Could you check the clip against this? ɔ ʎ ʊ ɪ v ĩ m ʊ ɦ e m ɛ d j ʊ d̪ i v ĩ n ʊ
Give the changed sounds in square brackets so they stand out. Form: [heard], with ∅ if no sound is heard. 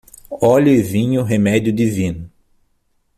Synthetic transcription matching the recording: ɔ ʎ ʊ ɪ v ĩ [ɲ] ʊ ɦ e m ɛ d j ʊ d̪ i v ĩ n ʊ